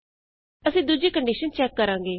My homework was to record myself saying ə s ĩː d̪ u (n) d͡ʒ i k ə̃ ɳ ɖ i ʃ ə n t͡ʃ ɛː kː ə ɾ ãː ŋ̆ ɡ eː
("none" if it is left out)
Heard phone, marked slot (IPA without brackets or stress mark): none